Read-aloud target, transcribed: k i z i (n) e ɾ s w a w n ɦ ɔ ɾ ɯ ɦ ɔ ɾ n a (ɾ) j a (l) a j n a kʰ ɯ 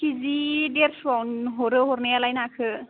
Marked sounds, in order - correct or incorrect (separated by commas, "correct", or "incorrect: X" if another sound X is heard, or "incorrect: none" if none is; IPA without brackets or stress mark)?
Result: incorrect: d, incorrect: none, correct